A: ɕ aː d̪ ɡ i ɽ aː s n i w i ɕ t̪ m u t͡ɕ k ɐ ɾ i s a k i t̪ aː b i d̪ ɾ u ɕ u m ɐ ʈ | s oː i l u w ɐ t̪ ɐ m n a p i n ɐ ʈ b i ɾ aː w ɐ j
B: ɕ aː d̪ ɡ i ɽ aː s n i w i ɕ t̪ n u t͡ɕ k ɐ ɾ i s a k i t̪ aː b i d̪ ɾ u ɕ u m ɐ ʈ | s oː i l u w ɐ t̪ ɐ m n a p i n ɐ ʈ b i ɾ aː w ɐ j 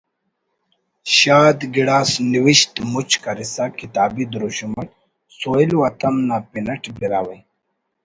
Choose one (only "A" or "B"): A